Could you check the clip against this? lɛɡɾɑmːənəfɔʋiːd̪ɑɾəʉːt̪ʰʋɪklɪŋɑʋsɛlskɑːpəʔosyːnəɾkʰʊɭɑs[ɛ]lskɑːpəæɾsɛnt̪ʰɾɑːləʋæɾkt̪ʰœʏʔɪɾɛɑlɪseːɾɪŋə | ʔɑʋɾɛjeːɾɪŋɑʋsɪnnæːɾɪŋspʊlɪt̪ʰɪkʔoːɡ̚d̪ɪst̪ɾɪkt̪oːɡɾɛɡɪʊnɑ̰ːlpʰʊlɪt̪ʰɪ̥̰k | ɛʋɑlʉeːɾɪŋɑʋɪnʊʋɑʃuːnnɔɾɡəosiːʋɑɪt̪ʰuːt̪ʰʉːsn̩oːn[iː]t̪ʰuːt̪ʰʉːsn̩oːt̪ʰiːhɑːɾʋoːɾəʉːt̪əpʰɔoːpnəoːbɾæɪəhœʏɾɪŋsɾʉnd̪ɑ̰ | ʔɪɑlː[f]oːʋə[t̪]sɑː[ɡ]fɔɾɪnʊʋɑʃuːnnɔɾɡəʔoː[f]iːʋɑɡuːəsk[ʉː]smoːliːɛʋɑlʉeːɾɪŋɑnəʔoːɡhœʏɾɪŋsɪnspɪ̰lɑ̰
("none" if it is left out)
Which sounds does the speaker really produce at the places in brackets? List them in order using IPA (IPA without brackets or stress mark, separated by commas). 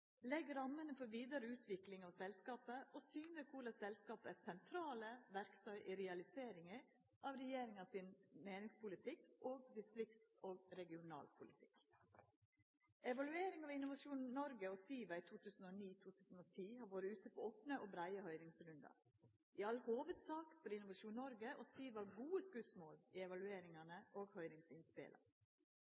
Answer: ɛ, iː, h, d̪, k, s, ʉ